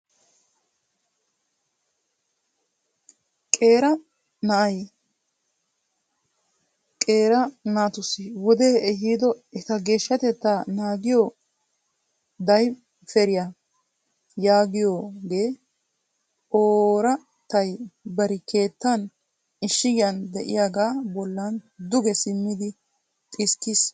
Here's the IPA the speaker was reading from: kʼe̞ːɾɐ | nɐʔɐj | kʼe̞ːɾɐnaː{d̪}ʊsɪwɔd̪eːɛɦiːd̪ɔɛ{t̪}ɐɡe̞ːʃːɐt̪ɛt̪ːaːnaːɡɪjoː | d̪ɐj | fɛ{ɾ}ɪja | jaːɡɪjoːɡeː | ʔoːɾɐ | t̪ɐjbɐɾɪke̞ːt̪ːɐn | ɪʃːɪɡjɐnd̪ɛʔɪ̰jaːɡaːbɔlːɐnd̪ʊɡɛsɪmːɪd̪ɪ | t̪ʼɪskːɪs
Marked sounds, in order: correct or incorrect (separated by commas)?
incorrect, correct, correct